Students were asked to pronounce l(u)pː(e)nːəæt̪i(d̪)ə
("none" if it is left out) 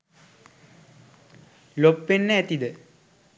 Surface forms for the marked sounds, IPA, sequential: o, e, d̪

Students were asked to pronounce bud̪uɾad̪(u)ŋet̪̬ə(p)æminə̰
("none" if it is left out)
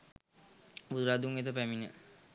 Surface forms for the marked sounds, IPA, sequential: u, p

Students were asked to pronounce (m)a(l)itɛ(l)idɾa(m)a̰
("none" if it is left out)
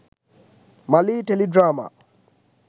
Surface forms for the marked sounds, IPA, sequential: m, l, l, m

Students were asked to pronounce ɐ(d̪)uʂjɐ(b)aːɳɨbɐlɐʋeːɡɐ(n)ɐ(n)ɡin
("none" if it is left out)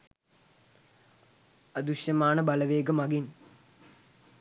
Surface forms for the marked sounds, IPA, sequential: d̪, m, m, none

